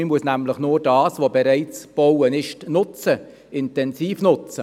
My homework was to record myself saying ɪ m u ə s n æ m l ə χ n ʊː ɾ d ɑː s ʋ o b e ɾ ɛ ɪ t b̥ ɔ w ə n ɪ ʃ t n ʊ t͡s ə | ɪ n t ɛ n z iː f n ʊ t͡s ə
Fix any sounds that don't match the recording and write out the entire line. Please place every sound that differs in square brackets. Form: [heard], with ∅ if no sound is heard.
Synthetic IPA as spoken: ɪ m u ə s n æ m l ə χ n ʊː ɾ d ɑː s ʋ o b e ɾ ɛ ɪ [t͡s] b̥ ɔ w ə n ɪ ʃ t n ʊ t͡s ə | ɪ n t ɛ n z iː f n ʊ t͡s ə